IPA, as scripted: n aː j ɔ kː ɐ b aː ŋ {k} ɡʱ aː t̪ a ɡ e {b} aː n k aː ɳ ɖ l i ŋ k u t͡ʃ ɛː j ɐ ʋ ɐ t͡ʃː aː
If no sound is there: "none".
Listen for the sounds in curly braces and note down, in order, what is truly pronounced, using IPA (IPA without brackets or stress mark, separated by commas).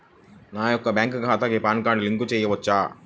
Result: k, p